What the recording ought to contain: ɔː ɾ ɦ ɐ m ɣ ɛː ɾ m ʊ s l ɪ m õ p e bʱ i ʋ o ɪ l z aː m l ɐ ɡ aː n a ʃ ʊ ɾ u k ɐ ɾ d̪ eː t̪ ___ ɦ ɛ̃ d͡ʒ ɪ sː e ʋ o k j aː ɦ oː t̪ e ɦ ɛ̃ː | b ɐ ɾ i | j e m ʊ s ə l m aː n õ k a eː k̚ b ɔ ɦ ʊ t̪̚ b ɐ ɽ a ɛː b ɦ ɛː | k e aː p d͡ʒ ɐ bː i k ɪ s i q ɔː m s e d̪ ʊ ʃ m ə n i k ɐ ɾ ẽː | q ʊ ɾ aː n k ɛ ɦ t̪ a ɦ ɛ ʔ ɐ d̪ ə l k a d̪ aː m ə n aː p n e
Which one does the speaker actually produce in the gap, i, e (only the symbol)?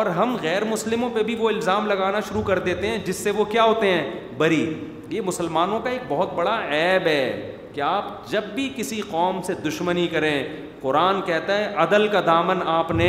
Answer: e